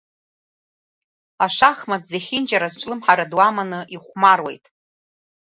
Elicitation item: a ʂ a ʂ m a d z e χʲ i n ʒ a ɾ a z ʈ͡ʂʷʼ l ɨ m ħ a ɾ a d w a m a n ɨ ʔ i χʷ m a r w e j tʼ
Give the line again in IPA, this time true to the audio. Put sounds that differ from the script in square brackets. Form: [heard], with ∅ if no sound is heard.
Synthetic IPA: a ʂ a [χ] m a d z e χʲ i n [d͡ʒ] a ɾ a z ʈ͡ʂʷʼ l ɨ m ħ a ɾ a d w a m a n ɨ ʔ i χʷ m a r w e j tʼ

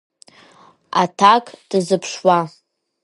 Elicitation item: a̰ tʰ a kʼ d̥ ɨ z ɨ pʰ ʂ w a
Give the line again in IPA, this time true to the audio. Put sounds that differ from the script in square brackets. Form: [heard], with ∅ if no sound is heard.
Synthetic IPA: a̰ tʰ a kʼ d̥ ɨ z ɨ pʰ ʂ w a

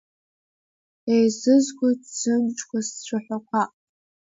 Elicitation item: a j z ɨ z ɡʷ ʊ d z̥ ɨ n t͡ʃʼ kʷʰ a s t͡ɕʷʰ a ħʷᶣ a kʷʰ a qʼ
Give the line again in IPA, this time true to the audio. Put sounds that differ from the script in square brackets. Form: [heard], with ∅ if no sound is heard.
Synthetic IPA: [e] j z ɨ z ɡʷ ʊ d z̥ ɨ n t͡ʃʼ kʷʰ a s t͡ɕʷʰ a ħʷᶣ a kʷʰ a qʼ

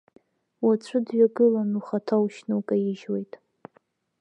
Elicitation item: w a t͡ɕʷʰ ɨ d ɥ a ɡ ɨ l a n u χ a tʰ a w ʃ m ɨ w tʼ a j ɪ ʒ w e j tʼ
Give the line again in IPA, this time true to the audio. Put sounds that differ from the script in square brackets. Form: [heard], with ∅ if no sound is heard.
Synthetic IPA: w a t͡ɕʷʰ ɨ d ɥ a ɡ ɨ l a n u χ a tʰ a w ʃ [n] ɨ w [kʼ] a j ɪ ʒ w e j tʼ

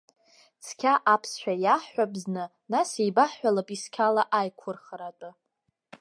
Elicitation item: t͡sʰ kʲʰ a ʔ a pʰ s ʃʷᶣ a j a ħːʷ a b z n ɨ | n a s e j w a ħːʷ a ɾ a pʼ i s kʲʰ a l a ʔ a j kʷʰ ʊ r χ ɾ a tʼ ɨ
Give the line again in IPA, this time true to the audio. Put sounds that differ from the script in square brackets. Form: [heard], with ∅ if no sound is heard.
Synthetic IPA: t͡sʰ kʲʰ a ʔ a pʰ s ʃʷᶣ a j a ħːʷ a b z n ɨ | n a s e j [b] a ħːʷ a [l] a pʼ i s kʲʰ a l a ʔ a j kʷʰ ʊ r χ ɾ a tʼ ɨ

